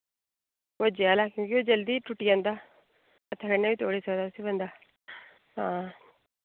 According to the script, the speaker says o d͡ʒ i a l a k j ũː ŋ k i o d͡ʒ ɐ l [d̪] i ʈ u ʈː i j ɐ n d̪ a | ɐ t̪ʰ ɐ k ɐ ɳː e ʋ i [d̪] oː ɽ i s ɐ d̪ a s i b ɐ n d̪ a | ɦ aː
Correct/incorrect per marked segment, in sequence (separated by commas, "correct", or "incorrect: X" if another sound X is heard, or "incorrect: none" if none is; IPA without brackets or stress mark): correct, incorrect: t̪